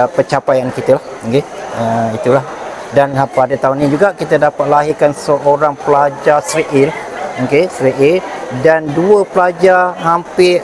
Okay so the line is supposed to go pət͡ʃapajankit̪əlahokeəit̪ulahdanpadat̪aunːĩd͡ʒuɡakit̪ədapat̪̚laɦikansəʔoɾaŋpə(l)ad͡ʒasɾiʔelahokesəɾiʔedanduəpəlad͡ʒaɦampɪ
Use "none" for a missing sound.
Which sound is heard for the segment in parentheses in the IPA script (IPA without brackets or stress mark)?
l